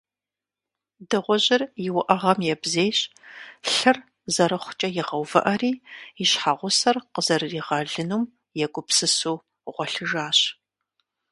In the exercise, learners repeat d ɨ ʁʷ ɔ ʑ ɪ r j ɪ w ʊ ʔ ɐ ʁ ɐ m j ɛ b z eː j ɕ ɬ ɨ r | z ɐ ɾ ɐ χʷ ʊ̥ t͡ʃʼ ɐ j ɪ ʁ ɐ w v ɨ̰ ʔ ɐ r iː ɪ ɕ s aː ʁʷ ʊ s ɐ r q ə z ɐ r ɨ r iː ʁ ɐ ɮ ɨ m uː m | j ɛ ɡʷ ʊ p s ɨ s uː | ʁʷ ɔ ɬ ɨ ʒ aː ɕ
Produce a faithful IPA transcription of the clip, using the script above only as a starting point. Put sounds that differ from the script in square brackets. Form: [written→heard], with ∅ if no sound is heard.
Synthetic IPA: d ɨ ʁʷ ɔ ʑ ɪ r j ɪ w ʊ ʔ ɐ ʁ ɐ m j ɛ b z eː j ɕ ɬ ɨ r | z ɐ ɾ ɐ χʷ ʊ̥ t͡ʃʼ ɐ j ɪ ʁ ɐ w v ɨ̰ ʔ ɐ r iː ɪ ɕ [s→ħ] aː ʁʷ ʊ s ɐ r q ə z ɐ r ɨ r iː ʁ ɐ ɮ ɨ [m→n] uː m | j ɛ ɡʷ ʊ p s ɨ s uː | ʁʷ ɔ ɬ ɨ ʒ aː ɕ